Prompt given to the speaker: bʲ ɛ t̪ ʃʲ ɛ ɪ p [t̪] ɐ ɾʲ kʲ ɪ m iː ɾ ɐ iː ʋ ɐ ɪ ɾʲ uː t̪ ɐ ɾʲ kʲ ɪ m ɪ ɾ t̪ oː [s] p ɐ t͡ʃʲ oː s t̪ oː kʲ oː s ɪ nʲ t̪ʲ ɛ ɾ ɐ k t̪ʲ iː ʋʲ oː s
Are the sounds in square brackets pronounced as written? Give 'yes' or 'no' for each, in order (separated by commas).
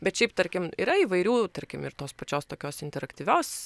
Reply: yes, yes